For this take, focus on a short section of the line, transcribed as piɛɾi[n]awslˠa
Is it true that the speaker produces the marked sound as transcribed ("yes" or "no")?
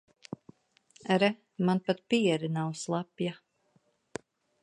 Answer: yes